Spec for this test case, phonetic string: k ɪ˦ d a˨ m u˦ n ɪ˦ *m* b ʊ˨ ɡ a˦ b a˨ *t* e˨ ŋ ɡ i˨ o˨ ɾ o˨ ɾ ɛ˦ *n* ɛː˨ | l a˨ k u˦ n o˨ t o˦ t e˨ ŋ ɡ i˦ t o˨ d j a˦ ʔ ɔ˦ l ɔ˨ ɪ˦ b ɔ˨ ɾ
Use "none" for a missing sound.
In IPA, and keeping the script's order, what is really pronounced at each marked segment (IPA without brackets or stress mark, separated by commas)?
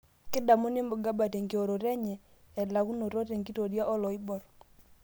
m, t, ɲ